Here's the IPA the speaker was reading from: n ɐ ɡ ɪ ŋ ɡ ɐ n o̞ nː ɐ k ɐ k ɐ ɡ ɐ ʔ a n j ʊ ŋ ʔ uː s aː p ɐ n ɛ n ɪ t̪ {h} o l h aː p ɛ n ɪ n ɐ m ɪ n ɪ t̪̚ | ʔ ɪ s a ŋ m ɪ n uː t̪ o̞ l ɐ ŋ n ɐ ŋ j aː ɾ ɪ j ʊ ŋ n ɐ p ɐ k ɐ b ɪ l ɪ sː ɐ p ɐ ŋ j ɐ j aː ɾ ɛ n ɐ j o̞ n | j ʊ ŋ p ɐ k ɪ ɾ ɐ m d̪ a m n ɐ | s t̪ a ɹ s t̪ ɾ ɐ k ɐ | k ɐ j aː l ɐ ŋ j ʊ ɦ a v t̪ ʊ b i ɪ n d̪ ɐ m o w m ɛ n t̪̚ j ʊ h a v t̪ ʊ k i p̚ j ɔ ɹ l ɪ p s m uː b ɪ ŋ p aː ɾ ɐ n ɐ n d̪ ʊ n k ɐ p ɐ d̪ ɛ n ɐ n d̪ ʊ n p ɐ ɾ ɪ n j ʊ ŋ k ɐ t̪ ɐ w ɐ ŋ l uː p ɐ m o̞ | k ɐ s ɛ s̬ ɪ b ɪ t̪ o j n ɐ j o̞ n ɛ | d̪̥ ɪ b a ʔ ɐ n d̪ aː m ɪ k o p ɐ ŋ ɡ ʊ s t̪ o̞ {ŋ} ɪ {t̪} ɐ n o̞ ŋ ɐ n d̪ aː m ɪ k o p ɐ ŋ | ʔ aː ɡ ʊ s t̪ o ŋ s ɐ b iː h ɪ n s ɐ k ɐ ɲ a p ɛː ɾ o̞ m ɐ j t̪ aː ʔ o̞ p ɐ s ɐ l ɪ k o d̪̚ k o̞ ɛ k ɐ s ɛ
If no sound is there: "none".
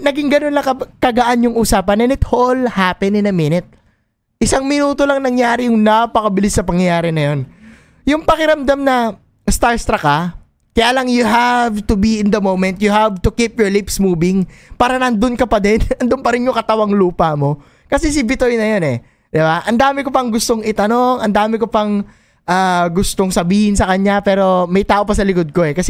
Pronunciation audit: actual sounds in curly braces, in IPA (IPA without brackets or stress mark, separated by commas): h, ŋ, t̪